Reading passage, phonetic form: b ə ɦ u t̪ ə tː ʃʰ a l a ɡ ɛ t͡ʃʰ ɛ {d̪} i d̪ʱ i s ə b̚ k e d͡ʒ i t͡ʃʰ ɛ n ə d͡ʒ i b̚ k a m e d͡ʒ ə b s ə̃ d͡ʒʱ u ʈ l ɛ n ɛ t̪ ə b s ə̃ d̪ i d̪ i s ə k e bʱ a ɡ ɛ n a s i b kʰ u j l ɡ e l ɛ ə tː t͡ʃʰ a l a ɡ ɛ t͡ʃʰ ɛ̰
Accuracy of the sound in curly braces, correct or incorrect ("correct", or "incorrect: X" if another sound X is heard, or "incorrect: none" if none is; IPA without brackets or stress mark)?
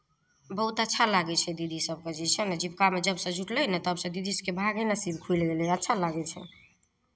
correct